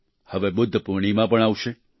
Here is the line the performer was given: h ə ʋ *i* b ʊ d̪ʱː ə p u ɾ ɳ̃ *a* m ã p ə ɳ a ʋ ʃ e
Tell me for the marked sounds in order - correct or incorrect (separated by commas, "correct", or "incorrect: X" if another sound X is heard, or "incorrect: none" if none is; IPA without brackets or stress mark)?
incorrect: e, incorrect: i